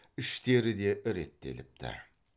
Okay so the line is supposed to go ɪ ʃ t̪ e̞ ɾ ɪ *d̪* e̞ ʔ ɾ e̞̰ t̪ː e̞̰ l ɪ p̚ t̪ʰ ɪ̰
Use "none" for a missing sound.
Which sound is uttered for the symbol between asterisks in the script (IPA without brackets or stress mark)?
d̪